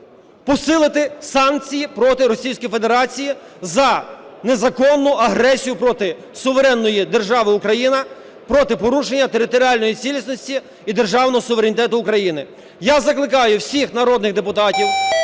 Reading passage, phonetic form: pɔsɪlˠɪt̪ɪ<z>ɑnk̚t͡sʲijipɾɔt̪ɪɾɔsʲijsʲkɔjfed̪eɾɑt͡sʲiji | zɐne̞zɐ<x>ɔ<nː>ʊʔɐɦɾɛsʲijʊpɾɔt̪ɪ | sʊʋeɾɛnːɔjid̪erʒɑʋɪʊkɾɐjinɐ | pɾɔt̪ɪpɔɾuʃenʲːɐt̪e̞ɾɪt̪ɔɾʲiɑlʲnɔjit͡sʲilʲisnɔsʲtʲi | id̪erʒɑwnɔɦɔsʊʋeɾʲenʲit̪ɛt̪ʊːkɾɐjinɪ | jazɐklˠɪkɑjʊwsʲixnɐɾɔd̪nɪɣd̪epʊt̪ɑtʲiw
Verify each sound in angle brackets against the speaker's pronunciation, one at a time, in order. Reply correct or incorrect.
incorrect, incorrect, correct

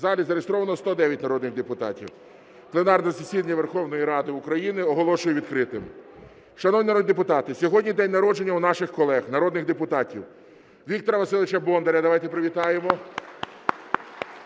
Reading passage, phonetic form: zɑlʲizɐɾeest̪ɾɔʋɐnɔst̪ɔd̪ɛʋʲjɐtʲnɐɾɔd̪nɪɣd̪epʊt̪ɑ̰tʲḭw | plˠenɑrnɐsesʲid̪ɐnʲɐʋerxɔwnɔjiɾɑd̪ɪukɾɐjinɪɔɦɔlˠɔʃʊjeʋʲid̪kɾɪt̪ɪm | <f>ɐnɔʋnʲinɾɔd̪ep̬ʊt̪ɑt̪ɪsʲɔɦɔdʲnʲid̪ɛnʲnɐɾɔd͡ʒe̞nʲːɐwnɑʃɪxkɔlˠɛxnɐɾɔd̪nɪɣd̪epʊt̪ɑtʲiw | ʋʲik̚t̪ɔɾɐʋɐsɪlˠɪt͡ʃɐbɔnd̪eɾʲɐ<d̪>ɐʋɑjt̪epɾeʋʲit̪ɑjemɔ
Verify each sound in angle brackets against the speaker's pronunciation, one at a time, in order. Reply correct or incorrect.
incorrect, correct

